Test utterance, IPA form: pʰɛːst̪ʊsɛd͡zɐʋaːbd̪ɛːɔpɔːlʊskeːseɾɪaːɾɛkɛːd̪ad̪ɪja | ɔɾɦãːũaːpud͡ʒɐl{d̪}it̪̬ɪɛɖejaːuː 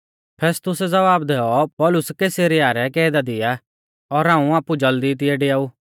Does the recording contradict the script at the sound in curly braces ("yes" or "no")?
no